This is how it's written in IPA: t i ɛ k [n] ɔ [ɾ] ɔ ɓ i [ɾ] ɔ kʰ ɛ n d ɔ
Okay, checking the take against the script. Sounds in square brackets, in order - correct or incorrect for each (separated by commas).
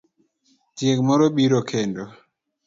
incorrect, correct, correct